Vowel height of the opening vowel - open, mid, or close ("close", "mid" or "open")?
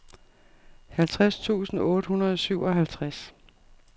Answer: open